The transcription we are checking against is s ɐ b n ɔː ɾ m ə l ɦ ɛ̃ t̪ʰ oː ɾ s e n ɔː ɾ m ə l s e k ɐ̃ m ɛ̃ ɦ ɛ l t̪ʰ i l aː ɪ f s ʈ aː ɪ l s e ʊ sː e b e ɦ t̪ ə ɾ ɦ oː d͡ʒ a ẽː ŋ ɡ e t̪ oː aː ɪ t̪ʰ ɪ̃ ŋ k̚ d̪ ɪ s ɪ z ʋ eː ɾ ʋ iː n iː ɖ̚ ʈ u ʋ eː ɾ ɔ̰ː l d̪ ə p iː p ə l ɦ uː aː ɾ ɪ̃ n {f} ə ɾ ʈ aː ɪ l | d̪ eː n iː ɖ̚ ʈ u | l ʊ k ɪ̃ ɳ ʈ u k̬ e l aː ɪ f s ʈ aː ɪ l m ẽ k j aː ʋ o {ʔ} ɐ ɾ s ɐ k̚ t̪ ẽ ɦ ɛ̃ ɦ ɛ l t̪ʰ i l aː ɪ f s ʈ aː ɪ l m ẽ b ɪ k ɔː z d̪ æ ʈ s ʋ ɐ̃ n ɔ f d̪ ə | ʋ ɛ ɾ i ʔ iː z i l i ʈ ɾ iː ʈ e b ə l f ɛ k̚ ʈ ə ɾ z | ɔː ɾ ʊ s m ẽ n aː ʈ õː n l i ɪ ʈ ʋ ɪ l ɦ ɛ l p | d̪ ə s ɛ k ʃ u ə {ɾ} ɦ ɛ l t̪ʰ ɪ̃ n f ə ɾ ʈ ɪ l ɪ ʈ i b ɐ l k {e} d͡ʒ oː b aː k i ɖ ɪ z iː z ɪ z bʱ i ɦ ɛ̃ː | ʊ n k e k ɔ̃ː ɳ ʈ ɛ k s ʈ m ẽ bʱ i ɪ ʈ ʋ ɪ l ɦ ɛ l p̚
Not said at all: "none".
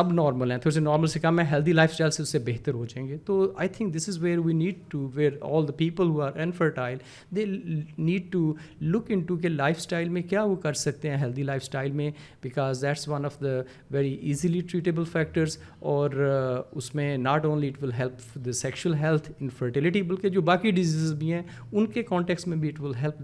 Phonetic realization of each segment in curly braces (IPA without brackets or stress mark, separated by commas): f, k, l, e